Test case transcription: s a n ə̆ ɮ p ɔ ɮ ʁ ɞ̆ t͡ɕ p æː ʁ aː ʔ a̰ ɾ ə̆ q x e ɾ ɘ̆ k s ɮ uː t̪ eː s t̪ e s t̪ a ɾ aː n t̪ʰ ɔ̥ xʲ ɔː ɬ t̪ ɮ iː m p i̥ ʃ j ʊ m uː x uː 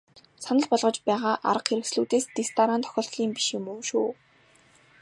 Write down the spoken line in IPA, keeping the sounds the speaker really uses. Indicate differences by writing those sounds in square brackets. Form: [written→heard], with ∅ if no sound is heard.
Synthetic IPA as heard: s a n ə̆ ɮ p ɔ ɮ ʁ ɞ̆ t͡ɕ p æː ʁ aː ʔ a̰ ɾ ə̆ q x e ɾ ɘ̆ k s ɮ uː t̪ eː s t̪ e s t̪ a ɾ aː n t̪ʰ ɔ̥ xʲ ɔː ɬ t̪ ɮ iː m p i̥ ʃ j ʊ m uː [x→ʃ] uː